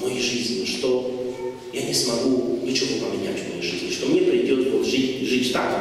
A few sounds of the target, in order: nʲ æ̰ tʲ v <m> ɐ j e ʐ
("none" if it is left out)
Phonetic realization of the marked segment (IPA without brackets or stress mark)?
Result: m